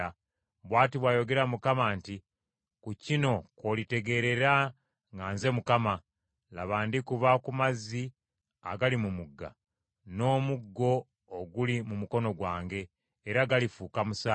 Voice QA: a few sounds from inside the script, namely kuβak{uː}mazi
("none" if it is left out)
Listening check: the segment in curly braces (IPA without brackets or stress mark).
u